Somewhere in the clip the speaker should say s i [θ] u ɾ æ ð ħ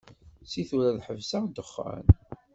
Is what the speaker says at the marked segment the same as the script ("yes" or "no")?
yes